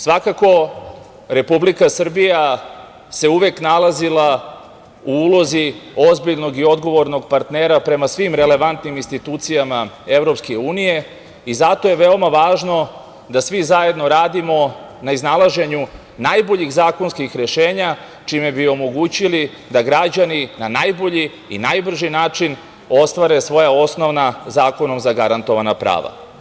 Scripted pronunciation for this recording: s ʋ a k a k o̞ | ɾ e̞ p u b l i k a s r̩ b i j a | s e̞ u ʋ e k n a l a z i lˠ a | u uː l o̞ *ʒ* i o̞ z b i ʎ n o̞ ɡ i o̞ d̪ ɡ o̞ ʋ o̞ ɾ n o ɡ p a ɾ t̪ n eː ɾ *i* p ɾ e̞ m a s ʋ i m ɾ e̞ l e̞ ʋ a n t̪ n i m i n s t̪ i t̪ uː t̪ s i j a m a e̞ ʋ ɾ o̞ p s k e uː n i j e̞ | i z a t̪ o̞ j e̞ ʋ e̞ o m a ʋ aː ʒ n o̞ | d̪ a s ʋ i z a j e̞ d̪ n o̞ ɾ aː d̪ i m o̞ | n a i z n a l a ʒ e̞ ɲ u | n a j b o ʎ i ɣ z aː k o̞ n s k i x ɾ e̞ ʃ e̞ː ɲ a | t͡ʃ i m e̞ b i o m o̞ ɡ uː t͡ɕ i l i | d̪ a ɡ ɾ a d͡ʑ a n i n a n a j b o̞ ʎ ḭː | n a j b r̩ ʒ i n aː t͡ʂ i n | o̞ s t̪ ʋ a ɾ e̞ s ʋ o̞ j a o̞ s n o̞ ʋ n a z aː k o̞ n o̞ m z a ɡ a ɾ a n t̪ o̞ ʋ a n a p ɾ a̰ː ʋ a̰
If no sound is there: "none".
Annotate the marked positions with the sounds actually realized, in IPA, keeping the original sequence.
z, a

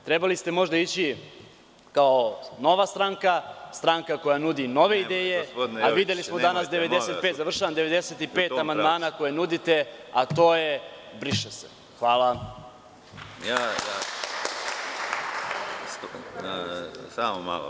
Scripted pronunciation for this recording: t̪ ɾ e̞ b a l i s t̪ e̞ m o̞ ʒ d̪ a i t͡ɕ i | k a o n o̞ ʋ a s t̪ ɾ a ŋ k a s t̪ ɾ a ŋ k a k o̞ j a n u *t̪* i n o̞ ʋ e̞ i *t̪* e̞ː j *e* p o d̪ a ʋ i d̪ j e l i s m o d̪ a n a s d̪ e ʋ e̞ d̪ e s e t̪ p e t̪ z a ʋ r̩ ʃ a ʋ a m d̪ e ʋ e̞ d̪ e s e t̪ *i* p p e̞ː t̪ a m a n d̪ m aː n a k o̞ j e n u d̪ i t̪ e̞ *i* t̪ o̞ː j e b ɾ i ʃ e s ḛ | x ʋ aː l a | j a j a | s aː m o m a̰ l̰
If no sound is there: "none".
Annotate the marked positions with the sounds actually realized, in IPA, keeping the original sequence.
d̪, d̪, e, i, a

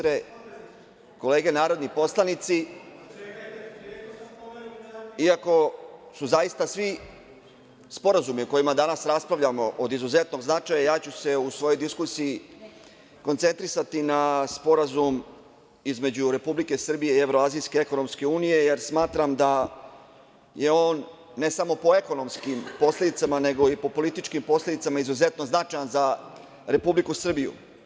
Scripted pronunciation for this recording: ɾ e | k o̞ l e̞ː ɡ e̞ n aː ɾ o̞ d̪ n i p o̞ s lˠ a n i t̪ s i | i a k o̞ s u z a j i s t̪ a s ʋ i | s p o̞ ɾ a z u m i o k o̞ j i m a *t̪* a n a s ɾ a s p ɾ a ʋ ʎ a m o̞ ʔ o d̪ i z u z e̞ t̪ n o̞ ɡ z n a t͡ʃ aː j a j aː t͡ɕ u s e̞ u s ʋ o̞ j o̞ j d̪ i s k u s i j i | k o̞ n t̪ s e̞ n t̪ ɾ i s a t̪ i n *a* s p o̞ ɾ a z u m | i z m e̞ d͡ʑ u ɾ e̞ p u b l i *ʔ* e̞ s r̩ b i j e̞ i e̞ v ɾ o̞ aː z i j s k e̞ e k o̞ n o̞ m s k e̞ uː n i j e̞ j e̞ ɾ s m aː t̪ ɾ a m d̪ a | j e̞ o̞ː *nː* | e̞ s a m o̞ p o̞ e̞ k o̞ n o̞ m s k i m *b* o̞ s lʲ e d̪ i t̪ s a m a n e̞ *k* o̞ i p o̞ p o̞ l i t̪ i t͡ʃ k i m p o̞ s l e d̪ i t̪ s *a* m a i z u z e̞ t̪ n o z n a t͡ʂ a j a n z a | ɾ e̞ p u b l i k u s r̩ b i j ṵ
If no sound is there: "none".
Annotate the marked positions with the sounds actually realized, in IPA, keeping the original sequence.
d̪, a, k, nː, p, ɡ, a

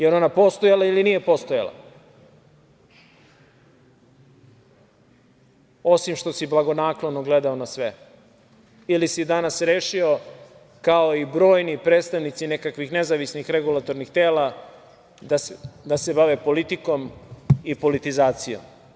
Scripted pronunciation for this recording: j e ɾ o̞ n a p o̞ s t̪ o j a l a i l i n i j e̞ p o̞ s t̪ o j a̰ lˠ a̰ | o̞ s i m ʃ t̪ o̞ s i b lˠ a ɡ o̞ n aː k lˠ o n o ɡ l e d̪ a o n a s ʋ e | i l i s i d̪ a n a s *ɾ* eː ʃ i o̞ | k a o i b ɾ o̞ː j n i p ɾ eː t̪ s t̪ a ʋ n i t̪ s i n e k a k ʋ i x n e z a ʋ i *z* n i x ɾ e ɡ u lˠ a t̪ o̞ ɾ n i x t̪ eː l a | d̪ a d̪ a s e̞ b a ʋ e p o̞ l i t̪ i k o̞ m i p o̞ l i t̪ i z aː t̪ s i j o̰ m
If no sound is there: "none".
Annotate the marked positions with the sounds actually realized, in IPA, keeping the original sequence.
ɾ, s

